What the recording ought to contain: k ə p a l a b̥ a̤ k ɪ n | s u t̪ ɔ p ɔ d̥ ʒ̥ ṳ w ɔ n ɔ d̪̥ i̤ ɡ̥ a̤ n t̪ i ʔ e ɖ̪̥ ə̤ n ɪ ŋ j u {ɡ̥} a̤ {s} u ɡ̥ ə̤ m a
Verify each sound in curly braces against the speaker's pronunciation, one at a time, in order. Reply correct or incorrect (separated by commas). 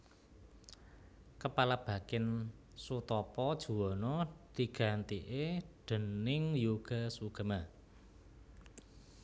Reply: correct, correct